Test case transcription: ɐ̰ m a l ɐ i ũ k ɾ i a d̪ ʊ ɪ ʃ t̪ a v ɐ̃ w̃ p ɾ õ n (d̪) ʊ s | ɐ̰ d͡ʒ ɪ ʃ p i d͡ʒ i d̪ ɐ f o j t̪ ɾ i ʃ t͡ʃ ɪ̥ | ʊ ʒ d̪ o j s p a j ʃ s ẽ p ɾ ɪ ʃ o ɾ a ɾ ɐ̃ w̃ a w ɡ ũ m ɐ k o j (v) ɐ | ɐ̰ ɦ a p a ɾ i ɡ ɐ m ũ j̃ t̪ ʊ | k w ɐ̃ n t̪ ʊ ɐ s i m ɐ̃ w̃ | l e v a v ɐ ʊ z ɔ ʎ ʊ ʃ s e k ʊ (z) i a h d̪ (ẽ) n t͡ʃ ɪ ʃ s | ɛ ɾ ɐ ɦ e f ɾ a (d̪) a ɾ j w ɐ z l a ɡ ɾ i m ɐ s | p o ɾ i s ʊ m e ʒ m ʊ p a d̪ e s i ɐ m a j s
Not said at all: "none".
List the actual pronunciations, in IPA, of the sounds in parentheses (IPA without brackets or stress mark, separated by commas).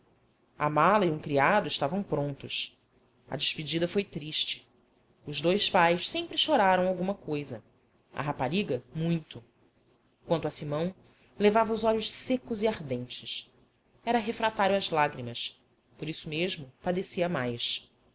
t̪, z, z, ẽ, t̪